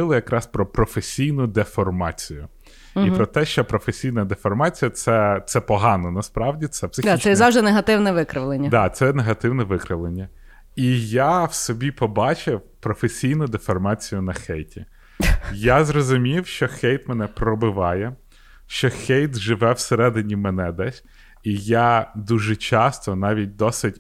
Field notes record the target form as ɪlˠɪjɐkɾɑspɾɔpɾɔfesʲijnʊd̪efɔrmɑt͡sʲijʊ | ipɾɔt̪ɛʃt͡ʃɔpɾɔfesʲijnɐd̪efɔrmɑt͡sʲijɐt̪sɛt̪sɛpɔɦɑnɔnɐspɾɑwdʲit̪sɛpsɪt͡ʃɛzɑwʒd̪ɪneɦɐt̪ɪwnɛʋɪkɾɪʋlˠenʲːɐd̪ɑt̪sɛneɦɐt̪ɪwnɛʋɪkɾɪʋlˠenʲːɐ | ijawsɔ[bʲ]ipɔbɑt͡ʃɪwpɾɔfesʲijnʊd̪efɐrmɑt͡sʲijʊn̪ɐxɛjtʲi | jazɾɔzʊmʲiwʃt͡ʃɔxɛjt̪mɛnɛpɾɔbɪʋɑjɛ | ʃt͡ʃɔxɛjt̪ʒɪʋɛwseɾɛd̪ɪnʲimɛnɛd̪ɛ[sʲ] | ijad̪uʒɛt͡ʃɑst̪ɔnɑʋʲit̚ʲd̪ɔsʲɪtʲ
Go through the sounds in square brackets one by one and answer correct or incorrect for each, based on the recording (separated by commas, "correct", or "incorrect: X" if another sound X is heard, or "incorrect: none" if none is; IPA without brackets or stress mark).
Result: correct, correct